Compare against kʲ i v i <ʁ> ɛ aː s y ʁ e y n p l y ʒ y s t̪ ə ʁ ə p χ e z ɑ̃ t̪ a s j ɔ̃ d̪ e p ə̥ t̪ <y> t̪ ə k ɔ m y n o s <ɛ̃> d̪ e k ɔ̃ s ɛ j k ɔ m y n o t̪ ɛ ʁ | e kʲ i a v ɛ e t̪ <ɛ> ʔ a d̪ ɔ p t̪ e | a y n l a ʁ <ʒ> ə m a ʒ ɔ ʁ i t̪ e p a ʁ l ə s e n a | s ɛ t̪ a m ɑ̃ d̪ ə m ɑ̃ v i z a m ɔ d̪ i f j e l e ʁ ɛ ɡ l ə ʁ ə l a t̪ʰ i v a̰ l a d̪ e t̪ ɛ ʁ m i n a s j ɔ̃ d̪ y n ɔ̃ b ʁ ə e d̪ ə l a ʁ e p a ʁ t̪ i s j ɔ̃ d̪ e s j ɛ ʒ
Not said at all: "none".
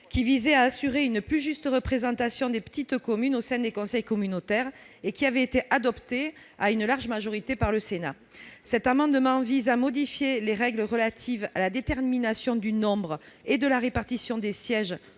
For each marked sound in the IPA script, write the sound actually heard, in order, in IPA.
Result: z, i, ɛ̃, e, ʒ

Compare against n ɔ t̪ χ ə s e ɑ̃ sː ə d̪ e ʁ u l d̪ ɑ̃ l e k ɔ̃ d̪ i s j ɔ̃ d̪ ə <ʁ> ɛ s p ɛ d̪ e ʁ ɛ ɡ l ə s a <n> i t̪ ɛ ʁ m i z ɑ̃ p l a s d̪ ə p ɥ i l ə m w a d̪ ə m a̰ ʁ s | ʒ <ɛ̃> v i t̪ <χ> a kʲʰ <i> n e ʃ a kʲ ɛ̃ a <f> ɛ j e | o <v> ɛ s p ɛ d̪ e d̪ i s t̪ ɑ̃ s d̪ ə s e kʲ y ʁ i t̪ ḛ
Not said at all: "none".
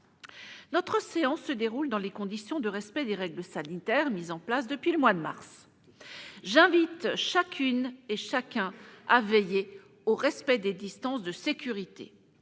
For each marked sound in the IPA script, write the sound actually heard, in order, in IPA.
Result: ʁ, n, ɛ̃, ʃ, y, v, ʁ

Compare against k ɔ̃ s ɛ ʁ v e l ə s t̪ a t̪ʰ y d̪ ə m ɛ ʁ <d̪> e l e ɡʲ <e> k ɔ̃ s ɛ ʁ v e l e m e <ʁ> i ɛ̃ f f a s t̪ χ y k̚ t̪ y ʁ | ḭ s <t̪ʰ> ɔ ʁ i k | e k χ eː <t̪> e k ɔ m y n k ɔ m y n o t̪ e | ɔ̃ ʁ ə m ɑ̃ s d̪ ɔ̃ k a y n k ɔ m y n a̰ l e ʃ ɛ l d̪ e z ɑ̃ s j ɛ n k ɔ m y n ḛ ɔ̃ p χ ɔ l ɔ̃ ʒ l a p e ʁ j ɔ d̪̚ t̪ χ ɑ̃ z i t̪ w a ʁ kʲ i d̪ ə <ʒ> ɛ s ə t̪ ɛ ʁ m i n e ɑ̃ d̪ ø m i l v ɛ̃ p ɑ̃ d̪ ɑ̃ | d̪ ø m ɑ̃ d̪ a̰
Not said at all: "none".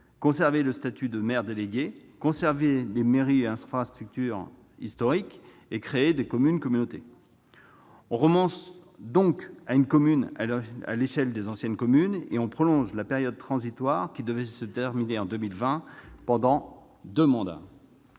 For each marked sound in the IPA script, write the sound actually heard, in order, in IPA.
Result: d̪, e, ʁ, t̪, d̪, v

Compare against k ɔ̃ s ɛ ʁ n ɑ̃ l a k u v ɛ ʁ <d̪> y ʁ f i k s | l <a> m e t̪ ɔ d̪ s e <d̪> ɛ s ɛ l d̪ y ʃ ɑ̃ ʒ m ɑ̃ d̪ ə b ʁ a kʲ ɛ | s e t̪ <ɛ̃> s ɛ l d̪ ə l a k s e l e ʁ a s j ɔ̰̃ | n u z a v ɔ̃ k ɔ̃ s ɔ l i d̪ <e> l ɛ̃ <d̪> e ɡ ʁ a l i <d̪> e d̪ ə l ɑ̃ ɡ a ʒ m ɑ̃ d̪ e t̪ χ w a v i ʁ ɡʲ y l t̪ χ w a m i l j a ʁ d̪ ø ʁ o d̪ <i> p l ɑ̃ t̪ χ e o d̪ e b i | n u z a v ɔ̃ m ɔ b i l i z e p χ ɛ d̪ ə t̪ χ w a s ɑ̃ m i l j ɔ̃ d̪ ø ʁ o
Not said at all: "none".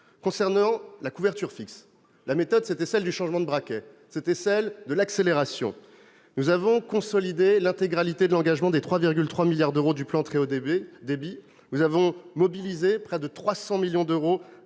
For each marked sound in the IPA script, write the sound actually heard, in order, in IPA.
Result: t̪, a, t̪, ɛ, e, t̪, t̪, y

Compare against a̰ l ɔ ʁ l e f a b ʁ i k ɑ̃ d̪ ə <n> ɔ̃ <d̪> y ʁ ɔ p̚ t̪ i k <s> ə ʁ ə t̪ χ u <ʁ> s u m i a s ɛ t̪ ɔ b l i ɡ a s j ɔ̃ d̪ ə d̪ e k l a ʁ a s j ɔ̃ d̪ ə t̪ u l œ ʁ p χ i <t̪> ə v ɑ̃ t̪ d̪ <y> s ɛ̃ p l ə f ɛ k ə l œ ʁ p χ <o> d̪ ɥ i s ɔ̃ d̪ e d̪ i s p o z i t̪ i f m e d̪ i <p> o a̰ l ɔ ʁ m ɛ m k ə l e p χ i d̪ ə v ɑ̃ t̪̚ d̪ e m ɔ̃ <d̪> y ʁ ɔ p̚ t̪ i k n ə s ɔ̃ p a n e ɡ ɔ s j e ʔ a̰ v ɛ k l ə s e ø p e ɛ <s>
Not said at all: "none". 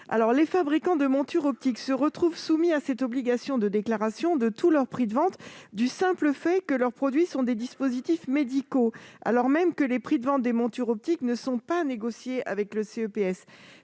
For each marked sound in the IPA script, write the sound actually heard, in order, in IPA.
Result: m, t̪, s, v, d̪, y, ɔ, k, t̪, s

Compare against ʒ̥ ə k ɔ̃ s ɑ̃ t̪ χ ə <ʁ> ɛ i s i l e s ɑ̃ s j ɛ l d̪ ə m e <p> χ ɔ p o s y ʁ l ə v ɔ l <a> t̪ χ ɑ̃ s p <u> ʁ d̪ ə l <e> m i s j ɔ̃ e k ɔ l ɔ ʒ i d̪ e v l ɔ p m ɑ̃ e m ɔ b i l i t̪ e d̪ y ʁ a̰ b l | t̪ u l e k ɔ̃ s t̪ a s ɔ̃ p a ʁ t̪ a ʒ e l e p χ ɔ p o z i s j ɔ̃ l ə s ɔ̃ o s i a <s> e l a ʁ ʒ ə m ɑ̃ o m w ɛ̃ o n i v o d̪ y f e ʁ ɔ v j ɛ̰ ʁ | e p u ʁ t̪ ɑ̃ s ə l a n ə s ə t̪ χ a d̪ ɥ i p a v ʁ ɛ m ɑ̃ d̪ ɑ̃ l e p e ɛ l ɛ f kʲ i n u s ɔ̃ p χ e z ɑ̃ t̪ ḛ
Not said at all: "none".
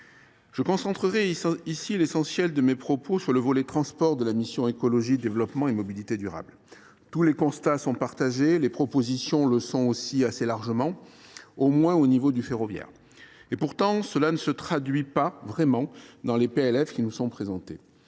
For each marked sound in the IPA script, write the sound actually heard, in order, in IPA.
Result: ʁ, p, ɛ, ɔ, a, s

